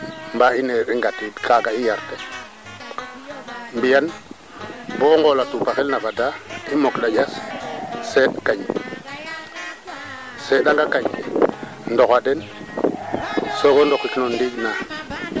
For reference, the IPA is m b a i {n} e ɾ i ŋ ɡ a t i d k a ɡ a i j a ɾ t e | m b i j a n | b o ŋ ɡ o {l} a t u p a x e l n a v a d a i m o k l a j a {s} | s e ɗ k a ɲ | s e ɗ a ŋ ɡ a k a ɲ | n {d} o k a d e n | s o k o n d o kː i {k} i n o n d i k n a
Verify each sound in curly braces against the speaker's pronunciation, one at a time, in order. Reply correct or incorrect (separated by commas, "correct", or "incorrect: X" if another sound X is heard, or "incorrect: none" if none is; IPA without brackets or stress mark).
correct, correct, correct, correct, correct